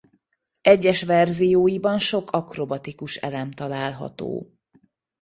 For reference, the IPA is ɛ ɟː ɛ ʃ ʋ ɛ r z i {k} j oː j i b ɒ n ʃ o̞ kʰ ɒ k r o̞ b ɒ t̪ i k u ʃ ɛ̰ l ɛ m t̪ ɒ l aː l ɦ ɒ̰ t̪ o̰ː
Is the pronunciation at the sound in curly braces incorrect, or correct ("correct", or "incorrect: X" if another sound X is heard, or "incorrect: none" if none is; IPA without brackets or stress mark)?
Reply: incorrect: none